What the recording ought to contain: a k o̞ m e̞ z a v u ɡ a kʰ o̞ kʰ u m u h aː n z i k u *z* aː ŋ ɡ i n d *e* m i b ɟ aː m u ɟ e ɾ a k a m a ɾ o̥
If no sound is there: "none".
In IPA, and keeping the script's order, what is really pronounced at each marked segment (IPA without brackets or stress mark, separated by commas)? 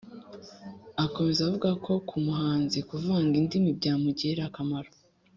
v, i